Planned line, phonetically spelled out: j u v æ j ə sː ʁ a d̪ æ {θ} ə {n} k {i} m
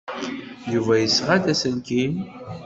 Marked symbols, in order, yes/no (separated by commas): no, yes, yes